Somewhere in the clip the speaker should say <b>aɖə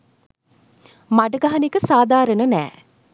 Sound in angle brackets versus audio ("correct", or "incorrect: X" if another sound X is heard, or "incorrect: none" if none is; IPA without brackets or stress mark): incorrect: m